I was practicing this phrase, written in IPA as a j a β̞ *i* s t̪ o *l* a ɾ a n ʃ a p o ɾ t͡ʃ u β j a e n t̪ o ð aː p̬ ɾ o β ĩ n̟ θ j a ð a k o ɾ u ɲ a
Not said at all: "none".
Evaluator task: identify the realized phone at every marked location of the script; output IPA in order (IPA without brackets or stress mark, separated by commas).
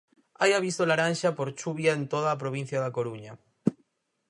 i, l